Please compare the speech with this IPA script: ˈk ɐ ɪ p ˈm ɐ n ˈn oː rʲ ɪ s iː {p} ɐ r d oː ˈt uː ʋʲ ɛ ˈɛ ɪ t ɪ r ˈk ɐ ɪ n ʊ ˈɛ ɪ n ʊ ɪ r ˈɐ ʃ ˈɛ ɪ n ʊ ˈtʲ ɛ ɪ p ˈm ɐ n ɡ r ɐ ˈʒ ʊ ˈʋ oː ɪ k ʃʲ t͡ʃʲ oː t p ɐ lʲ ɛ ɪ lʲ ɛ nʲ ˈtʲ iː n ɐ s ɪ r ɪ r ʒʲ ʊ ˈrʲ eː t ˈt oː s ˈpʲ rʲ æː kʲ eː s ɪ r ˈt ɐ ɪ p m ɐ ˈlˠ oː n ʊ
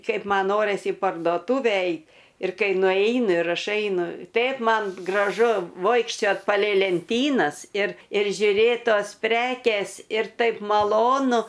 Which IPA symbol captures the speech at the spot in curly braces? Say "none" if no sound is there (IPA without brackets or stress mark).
p